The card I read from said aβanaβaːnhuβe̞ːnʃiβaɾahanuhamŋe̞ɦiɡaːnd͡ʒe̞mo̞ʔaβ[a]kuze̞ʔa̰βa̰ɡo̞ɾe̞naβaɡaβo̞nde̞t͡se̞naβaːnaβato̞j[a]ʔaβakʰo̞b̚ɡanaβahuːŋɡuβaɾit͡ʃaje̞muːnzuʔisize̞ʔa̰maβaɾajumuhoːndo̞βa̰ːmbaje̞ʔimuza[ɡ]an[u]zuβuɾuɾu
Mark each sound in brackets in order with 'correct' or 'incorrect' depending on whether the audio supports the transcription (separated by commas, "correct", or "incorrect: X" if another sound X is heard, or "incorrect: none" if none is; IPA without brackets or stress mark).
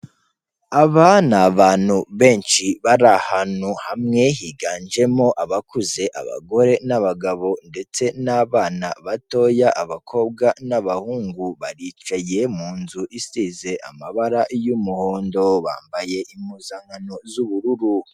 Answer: correct, correct, incorrect: ŋ, incorrect: o